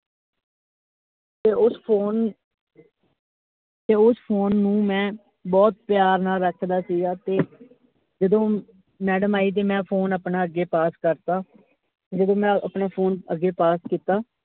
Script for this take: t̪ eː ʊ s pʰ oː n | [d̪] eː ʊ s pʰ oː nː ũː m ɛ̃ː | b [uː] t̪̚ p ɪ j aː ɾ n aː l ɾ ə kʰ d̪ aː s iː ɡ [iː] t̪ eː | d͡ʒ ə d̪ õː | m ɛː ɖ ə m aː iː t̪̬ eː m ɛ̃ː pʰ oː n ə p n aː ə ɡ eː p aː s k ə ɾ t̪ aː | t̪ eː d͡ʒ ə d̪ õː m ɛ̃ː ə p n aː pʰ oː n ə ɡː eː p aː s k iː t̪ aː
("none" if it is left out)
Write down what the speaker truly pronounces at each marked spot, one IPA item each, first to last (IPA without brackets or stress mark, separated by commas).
t̪, ɔː, aː